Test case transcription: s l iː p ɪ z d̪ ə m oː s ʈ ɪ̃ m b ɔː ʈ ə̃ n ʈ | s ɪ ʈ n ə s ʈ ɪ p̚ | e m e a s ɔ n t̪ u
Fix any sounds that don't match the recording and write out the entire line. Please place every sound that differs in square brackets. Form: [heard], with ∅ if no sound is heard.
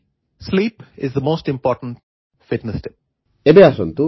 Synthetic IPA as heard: s l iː p ɪ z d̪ ə m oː s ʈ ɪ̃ m [p] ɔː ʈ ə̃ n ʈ | [f] ɪ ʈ n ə s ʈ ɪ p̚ | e [b] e a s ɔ n t̪ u